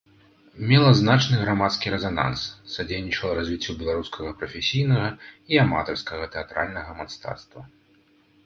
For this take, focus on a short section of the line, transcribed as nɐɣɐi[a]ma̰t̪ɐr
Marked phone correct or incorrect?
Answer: correct